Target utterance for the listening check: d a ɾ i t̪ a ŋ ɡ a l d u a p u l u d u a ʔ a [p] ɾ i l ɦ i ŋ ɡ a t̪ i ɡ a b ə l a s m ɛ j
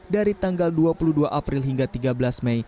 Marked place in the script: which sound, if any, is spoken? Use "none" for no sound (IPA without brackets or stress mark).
p